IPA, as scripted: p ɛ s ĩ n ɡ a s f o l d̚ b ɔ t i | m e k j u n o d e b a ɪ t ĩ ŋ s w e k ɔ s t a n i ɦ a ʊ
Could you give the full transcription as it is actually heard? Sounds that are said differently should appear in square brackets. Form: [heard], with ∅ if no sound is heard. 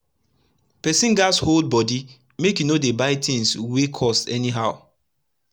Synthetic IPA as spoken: p ɛ s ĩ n ɡ a s [h] o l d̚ b ɔ [d] i | m e k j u n o d e b a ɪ t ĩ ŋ s w e [kʰ] ɔ s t [ɛ] n i ɦ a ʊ